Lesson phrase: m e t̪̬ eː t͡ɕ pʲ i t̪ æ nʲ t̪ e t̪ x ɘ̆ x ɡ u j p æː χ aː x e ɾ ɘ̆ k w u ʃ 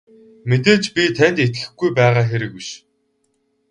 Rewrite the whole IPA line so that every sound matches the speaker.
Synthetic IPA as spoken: m e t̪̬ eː t͡ɕ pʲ i t̪ʰ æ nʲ t̪ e t̪ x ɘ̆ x ɡ u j p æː ʁ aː x e ɾ ɘ̆ k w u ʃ